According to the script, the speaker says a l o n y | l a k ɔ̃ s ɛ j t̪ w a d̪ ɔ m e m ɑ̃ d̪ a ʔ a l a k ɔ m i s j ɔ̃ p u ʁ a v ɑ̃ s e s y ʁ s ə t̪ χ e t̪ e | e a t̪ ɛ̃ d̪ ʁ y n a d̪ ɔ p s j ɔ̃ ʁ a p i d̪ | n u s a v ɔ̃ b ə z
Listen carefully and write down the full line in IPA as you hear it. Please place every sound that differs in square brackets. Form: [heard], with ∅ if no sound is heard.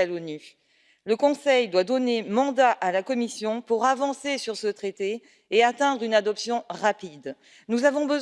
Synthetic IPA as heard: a l o n y | l [ə] k ɔ̃ s ɛ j [d̪] w a d̪ ɔ [n] e m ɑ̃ d̪ a ʔ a l a k ɔ m i s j ɔ̃ p u ʁ a v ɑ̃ s e s y ʁ s ə t̪ χ e t̪ e | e a t̪ ɛ̃ d̪ ʁ y n a d̪ ɔ p s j ɔ̃ ʁ a p i d̪ | n u [z] a v ɔ̃ b ə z